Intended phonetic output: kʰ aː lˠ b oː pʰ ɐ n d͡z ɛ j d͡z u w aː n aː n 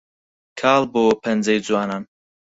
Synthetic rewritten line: kʰ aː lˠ b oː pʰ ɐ n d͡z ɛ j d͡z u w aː n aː n